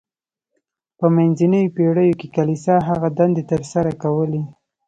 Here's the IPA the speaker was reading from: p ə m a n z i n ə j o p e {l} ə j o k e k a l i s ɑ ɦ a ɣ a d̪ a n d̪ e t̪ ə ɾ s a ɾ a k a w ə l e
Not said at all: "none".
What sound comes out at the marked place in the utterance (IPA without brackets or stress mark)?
ɽ